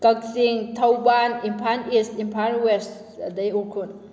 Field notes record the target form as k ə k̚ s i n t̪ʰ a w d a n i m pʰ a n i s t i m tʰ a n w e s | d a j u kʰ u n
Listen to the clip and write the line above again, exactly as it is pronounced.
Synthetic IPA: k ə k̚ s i ŋ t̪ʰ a w b a n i m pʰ a n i s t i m pʰ a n w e s | d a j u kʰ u n